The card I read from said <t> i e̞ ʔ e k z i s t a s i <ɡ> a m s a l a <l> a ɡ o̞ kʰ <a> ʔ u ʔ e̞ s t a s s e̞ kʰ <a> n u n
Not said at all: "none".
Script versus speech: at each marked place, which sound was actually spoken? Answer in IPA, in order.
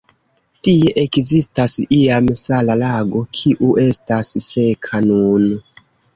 t, none, l, i, a

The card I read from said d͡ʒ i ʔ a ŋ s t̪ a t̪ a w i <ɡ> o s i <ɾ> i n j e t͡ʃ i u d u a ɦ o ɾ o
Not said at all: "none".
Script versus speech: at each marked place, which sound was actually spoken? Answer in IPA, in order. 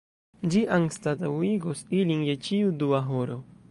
ɡ, l

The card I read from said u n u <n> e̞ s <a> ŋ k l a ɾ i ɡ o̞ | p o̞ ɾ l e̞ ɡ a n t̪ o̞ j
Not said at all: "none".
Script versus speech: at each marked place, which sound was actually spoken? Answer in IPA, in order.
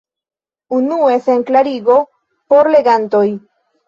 none, e

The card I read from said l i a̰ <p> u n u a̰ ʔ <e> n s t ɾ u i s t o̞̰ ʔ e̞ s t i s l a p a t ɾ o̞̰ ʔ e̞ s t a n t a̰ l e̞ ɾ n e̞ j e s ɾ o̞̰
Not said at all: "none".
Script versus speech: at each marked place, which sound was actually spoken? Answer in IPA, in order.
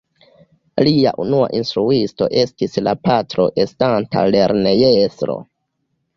ʔ, i

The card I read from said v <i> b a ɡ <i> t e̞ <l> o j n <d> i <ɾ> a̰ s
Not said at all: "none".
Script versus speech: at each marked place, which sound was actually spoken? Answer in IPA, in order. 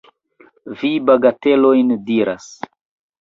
i, a, l, d, ɾ

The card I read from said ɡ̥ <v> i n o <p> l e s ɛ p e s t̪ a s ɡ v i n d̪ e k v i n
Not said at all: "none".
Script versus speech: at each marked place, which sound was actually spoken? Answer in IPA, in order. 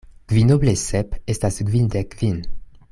v, b

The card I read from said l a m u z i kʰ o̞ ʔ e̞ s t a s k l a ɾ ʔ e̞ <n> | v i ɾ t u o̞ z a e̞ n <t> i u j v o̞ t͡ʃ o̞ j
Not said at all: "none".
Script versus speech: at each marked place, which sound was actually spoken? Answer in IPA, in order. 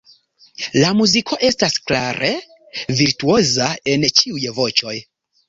none, t͡ʃ

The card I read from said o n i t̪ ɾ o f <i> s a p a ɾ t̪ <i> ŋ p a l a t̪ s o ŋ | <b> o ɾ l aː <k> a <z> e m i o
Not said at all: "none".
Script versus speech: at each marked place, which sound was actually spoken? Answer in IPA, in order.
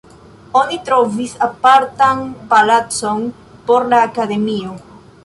i, a, p, k, ð

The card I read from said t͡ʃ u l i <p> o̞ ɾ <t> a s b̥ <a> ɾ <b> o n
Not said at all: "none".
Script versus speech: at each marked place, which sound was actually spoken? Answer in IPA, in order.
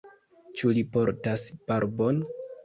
p, t, a, b

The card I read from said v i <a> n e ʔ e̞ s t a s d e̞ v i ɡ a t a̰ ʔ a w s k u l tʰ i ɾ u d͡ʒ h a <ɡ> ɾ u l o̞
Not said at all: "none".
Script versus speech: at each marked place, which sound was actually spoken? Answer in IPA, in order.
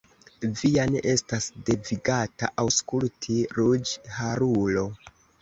a, none

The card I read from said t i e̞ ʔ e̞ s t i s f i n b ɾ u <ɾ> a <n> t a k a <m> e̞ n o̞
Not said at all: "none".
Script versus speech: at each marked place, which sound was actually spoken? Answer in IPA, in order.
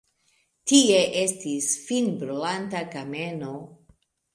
l, n, m

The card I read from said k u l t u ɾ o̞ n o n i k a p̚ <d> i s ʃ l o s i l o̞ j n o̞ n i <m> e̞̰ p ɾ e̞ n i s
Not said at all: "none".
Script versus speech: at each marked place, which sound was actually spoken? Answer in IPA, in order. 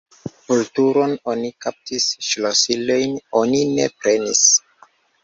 t, n

